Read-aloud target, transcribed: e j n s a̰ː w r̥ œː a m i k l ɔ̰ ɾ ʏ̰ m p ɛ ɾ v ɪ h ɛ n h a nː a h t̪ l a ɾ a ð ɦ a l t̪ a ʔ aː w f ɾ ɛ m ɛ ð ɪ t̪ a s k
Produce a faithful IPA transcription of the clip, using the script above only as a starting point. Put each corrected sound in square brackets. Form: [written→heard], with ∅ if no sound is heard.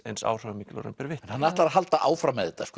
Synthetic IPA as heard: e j n s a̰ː w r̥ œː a m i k l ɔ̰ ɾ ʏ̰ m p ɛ ɾ v ɪ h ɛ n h a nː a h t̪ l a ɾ a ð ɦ a l t̪ a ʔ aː w f ɾ [ɛ→a] m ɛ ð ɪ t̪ a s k